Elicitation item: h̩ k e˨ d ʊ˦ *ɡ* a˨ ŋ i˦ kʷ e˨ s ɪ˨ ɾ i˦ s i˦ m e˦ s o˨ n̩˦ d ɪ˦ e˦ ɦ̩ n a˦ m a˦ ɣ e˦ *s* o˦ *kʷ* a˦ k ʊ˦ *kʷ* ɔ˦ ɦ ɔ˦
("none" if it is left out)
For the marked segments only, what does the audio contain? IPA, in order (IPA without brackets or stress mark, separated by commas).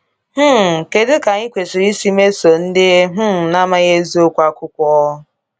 k, z, kʷ, kʷ